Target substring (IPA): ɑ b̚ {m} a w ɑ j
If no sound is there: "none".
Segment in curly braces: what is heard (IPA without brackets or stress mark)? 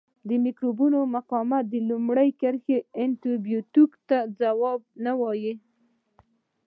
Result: n